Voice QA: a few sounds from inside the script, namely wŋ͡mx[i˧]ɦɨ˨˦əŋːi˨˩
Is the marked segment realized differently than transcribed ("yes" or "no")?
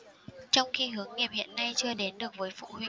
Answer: no